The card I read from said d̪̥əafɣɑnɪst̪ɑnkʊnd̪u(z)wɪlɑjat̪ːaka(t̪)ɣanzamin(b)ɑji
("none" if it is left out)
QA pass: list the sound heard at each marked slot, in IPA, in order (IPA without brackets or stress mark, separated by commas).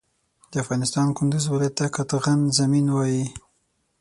z, t̪, w